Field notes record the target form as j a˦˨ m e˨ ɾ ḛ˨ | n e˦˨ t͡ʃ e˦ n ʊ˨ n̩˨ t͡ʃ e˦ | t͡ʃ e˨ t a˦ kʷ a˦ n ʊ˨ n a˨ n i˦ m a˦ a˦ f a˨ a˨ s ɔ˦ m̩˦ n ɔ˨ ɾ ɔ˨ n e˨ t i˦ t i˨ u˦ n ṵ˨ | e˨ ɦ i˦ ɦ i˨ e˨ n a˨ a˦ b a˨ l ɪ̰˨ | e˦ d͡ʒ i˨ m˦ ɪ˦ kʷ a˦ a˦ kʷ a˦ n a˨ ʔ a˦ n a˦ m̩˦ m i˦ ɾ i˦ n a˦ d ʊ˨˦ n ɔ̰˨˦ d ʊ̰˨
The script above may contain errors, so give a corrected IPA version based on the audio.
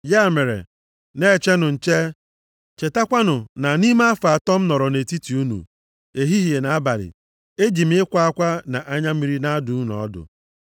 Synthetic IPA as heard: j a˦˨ m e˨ ɾ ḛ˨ | n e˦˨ t͡ʃ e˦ n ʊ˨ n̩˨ t͡ʃ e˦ | t͡ʃ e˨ t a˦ kʷ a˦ n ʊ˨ n a˨ n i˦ m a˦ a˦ f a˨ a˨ t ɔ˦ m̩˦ n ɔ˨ ɾ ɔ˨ n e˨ t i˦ t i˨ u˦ n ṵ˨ | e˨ ɦ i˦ ɦ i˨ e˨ n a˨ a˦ b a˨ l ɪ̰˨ | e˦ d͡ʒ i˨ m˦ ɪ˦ kʷ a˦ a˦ kʷ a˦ n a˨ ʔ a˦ ɲ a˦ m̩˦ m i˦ ɾ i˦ n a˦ d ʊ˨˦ n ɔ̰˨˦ d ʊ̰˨

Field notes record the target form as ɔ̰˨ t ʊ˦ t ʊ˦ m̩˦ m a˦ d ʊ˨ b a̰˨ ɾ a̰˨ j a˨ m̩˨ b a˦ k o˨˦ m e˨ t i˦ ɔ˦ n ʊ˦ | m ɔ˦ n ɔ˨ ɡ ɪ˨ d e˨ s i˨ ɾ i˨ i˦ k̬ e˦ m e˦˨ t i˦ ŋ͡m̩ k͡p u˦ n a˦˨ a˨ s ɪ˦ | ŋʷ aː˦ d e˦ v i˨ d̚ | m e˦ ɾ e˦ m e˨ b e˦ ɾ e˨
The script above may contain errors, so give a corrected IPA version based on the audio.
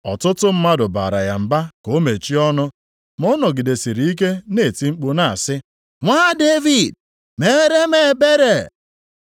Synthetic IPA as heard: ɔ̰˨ t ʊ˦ t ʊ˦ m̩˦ m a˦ d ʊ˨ b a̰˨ ɾ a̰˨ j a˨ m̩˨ b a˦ k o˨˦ m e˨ t͡ʃ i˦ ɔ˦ n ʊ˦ | m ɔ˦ n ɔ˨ ɡ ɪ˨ d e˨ s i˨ ɾ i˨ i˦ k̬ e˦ n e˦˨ t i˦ ŋ͡m̩ k͡p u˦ n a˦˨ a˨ s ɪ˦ | ŋʷ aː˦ d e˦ v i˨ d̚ | m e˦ ɾ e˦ m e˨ b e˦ ɾ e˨

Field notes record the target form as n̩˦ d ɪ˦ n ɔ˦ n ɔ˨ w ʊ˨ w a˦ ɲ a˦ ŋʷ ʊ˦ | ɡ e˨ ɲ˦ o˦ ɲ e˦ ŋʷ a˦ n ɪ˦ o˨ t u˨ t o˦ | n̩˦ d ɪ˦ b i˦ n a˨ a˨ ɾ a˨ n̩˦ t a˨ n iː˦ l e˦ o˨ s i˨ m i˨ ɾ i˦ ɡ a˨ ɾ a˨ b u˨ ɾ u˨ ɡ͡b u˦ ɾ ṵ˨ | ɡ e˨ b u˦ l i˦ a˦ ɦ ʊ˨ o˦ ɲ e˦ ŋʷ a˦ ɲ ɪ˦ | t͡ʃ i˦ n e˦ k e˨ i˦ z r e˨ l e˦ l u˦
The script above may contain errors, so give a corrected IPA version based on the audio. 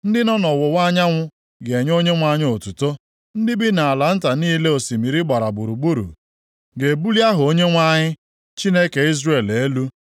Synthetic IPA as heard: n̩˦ d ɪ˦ n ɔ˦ n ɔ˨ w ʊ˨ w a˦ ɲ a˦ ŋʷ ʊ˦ | ɡ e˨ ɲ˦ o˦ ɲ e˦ ŋʷ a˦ ɲ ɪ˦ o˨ t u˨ t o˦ | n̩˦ d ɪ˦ b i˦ n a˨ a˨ l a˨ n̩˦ t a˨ n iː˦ l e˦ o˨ s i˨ m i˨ ɾ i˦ ɡ͡b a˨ ɾ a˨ b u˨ ɾ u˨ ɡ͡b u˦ ɾ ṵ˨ | ɡ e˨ b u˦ l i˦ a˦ ɦ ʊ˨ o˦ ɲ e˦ ŋʷ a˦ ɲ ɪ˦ | t͡ʃ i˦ n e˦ k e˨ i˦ z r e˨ l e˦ l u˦

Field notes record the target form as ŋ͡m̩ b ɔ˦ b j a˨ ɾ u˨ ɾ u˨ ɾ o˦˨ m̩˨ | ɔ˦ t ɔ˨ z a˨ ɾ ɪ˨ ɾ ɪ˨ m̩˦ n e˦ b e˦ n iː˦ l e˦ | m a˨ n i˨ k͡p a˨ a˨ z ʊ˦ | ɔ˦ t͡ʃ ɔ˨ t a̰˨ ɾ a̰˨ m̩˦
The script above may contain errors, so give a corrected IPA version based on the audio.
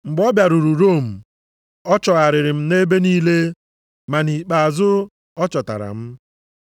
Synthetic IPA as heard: ŋ͡m̩ ɡ͡b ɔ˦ b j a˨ ɾ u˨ ɾ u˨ ɾ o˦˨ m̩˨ | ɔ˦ t͡ʃ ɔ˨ ɣ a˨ ɾ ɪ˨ ɾ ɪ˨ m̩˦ n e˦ b e˦ n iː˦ l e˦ | m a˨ n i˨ k͡p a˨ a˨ z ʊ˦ | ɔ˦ t͡ʃ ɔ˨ t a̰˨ ɾ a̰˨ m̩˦

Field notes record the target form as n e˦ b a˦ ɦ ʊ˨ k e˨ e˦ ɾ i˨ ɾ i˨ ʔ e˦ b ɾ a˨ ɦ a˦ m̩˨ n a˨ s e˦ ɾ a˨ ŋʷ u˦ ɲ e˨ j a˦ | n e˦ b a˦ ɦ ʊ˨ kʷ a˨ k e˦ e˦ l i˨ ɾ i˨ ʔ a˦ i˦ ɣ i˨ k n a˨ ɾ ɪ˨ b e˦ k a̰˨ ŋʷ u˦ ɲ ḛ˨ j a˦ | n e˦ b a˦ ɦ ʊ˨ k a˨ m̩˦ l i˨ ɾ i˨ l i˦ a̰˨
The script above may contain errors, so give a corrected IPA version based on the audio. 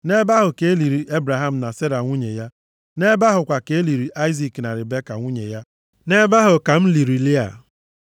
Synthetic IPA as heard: n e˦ b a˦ ɦ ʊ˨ k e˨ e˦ l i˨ ɾ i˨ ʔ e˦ b ɾ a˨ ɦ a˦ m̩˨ n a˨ s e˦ ɾ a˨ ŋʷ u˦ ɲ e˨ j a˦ | n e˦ b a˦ ɦ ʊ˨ kʷ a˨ k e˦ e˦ l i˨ ɾ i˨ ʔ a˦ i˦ z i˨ k n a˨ ɾ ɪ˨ b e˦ k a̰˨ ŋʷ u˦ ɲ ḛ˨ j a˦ | n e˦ b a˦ ɦ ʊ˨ k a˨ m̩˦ l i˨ ɾ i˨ l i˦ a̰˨

